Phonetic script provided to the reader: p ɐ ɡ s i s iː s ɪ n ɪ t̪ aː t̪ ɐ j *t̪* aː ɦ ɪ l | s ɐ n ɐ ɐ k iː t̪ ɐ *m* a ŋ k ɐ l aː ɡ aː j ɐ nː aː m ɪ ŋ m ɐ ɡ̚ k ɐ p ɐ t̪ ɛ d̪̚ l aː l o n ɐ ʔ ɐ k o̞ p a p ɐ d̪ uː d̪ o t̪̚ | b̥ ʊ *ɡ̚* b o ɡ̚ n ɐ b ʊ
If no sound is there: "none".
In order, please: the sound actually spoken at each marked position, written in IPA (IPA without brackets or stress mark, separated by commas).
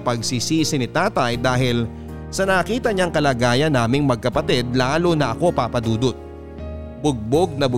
d̪, ɲ, ɡ̚